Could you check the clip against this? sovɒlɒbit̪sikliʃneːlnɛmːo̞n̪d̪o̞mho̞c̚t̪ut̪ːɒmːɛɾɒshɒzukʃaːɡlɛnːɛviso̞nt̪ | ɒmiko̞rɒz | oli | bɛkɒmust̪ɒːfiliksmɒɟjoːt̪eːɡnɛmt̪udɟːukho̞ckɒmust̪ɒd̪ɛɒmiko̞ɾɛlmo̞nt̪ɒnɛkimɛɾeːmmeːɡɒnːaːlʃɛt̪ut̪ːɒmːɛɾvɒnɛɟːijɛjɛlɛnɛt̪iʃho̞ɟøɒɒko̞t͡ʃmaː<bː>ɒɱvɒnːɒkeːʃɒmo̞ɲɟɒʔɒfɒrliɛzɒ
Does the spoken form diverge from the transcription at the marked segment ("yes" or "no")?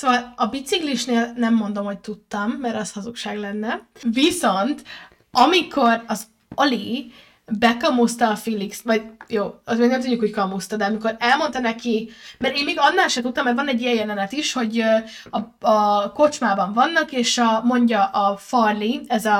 yes